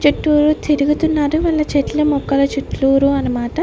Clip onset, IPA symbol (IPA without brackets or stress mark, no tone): t͡ʃ